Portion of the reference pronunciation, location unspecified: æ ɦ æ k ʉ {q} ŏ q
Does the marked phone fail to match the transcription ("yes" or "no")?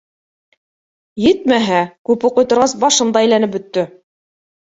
yes